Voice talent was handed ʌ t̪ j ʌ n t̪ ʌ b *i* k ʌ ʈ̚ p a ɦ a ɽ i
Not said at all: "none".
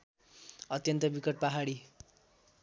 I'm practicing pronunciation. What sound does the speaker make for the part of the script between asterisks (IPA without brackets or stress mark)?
i